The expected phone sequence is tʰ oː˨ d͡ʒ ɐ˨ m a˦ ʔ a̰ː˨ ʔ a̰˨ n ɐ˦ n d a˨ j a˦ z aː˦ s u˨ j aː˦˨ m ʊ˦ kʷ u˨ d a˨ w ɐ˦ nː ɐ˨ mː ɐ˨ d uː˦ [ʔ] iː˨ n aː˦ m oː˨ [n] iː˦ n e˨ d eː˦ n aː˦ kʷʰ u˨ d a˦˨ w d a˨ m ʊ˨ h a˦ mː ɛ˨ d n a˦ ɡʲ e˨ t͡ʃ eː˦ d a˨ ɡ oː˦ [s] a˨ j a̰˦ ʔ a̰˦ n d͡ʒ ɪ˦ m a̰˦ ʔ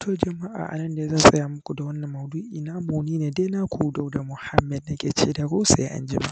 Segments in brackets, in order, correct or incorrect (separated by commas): correct, correct, correct